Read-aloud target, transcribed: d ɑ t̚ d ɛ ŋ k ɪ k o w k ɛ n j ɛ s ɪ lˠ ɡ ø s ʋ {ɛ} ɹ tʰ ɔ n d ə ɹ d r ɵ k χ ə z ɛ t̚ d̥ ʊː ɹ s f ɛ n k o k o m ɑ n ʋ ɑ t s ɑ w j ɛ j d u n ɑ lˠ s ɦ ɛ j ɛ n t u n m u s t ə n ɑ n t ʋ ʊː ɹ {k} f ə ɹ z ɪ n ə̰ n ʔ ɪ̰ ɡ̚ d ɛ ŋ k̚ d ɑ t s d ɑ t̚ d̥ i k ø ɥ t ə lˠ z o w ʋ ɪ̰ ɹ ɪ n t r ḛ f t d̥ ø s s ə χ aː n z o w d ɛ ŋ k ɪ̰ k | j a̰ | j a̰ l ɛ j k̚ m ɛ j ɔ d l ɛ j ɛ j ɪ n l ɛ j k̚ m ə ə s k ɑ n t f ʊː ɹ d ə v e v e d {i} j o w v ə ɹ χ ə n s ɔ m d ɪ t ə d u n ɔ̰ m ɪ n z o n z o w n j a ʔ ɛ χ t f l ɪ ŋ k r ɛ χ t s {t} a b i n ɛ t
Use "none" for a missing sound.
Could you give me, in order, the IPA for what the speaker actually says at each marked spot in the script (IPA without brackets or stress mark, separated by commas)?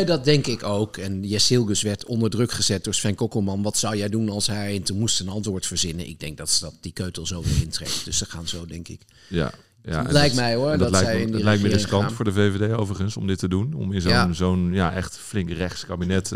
ɛ, t, e, k